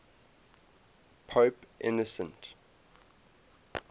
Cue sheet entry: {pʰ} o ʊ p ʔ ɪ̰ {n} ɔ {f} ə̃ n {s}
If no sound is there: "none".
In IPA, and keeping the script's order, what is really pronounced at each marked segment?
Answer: pʰ, n, s, t

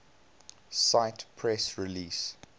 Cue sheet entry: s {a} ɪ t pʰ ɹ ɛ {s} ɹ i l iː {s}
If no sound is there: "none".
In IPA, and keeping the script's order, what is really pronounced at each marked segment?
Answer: a, s, s

